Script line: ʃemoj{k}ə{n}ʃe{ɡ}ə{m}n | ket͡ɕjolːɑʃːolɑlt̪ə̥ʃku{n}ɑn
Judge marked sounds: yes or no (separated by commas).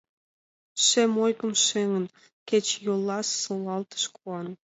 yes, no, no, no, no